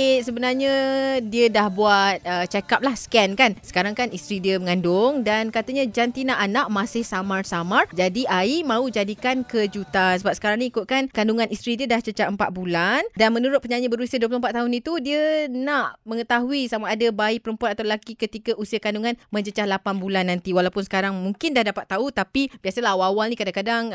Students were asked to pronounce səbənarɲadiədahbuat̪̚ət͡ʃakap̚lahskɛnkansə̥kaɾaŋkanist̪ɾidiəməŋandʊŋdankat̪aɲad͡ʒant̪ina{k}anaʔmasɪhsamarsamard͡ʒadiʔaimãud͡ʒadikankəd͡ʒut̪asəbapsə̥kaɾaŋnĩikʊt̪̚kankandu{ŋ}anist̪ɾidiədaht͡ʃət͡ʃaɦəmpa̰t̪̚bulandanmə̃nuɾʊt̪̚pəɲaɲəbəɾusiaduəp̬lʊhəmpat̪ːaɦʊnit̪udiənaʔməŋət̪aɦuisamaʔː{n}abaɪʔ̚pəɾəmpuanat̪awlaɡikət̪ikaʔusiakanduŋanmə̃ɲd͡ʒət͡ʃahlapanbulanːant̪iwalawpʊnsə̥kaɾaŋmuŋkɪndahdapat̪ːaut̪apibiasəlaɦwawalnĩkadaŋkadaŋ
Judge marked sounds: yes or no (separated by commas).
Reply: no, yes, no